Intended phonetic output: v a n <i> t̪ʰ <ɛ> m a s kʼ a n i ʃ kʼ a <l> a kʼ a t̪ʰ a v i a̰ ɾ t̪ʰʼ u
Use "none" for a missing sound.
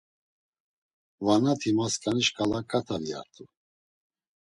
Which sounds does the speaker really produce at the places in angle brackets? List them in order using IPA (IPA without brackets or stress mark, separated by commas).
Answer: a, i, l